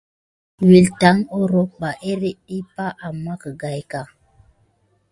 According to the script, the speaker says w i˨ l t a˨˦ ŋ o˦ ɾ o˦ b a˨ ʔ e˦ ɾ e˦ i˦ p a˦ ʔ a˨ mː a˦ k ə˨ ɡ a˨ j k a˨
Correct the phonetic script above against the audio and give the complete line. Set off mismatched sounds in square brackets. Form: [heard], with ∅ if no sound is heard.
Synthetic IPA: w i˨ l t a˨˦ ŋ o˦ ɾ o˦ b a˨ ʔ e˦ ɾ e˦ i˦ p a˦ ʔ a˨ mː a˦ k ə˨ ɡ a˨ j k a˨